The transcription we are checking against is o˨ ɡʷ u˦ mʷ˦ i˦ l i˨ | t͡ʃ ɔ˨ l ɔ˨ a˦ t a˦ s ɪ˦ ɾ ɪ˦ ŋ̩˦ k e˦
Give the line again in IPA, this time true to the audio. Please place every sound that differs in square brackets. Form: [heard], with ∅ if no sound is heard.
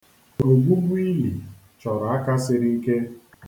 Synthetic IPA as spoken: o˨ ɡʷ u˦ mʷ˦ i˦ l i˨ | t͡ʃ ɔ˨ [ɾ] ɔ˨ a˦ [k] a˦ s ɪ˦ ɾ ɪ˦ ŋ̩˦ k e˦